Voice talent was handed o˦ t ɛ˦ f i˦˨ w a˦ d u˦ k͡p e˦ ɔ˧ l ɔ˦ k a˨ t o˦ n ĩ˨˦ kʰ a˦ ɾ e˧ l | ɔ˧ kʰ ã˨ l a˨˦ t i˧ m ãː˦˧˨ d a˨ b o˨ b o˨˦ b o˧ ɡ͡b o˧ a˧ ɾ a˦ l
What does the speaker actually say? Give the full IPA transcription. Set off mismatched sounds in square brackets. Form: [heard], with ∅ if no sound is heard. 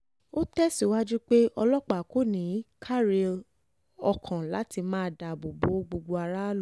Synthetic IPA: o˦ t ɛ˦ [s] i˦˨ w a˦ [d͡ʒ] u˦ k͡p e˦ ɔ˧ l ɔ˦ [k͡p] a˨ [k] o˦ n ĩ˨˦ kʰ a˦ ɾ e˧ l | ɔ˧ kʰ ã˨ l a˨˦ t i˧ m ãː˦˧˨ d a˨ b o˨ b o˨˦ [ɡ͡b] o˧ ɡ͡b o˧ a˧ ɾ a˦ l